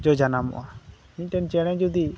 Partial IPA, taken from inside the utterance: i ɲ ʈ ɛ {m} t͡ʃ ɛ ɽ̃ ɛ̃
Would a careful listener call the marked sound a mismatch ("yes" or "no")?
yes